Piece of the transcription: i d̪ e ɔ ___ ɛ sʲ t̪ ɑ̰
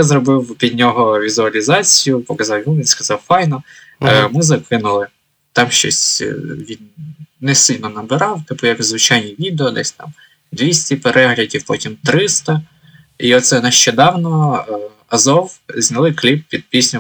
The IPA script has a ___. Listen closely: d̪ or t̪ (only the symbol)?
d̪